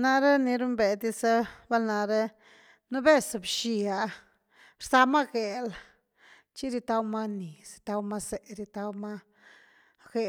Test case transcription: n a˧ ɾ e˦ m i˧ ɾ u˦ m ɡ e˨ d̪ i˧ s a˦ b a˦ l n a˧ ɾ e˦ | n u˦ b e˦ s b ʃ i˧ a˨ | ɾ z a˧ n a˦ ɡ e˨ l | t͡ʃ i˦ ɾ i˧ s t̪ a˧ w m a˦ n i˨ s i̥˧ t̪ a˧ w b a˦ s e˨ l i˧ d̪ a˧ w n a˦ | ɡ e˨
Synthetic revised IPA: n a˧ ɾ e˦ n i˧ ɾ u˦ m b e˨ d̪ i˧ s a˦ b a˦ l n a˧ ɾ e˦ | n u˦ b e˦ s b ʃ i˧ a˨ | ɾ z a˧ m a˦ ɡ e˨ l | t͡ʃ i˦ ɾ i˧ t̪ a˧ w m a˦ n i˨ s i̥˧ t̪ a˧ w m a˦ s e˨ ɾ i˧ t̪ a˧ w m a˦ | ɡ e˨